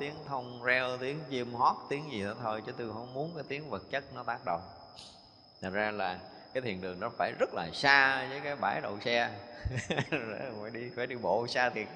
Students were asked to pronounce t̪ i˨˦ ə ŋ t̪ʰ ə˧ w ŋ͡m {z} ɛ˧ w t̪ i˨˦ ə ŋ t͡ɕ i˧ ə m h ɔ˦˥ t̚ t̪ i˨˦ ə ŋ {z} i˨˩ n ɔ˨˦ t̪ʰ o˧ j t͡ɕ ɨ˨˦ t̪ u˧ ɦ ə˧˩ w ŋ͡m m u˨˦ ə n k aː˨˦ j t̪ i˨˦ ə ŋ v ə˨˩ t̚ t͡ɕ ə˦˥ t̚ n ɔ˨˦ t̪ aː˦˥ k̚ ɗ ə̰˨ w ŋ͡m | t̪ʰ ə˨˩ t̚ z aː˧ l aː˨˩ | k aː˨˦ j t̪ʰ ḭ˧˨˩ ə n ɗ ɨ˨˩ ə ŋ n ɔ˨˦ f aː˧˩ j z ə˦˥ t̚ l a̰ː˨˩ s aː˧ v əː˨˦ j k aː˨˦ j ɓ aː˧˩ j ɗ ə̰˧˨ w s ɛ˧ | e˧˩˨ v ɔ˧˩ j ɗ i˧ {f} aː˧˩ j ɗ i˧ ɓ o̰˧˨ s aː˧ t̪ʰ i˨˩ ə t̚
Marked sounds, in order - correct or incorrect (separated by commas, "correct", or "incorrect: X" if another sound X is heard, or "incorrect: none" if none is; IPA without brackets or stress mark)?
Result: correct, correct, correct